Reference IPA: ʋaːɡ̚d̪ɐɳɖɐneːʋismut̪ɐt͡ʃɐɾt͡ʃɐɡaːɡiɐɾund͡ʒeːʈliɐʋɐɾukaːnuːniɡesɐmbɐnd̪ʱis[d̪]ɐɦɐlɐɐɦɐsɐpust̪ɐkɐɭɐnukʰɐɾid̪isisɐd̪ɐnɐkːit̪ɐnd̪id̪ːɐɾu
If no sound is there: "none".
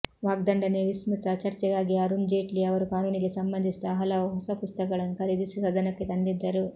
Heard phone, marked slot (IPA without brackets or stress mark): t̪